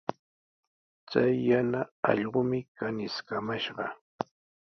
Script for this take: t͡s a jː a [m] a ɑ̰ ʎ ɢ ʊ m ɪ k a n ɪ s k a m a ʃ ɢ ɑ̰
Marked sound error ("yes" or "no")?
yes